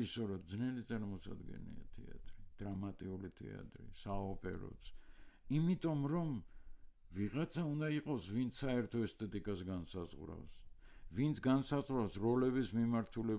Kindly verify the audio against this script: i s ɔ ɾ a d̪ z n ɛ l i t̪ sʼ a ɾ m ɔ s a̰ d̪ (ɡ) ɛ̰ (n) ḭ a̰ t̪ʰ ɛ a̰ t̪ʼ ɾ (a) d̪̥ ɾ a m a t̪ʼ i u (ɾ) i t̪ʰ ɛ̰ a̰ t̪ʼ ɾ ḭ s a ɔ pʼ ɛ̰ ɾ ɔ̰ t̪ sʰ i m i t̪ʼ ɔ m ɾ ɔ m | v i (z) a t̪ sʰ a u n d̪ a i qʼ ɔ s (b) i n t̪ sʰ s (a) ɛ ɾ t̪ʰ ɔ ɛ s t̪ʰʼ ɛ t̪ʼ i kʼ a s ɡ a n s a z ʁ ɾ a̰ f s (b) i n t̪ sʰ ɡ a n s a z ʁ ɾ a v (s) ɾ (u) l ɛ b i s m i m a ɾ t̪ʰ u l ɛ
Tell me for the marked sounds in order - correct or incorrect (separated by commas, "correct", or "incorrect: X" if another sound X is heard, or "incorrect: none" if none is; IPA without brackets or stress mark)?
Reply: correct, correct, incorrect: i, incorrect: l, incorrect: ʁ, incorrect: v, correct, incorrect: v, correct, incorrect: ɔ